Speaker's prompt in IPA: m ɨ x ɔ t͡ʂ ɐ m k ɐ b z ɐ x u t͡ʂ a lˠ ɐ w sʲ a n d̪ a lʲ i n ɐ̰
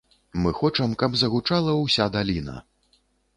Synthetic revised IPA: m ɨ x ɔ t͡ʂ ɐ m k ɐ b z ɐ ɣ u t͡ʂ a lˠ ɐ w sʲ a d̪ a lʲ i n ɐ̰